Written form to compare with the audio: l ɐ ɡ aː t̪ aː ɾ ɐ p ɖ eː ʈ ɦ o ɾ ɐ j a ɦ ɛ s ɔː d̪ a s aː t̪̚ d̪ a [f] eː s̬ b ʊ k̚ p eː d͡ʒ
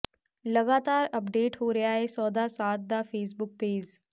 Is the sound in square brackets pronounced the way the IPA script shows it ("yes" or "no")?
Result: yes